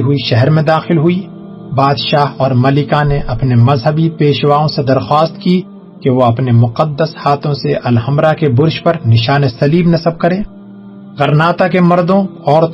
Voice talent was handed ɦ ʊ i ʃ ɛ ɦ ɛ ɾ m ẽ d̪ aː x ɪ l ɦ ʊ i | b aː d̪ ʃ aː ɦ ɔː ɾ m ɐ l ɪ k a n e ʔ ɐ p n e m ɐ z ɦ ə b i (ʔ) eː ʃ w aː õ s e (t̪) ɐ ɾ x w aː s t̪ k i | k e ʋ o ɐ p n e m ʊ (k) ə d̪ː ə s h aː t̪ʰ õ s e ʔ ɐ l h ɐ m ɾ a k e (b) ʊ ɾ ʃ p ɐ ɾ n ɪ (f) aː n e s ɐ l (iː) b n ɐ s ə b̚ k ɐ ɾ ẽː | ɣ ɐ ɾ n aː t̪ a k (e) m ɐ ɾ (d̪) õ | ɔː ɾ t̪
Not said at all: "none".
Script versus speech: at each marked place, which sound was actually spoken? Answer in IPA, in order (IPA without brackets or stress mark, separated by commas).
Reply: p, d̪, q, b, ʃ, iː, e, d̪